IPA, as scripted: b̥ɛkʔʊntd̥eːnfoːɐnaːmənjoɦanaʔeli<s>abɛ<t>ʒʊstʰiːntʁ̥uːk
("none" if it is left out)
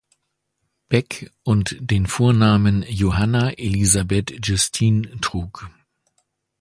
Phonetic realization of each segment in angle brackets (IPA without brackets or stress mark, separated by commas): z, t